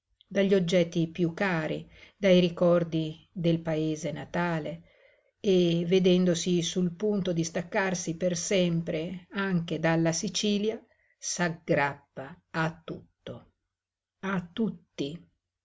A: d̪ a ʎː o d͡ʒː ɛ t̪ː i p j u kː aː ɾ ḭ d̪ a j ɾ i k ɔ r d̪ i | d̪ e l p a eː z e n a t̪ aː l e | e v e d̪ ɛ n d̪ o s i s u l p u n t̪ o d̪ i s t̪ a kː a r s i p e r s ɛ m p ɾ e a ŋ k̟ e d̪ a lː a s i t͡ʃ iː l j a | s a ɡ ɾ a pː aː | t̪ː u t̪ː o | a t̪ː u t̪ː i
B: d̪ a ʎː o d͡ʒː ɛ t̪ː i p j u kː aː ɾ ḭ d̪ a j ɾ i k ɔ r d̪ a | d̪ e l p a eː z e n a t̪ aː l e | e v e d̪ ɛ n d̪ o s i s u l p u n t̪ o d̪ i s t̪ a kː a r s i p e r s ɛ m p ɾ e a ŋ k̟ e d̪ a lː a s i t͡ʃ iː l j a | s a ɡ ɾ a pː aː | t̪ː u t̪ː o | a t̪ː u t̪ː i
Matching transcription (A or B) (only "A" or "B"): A